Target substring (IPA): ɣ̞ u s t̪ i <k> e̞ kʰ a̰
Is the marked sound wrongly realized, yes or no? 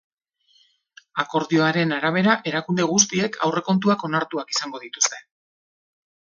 yes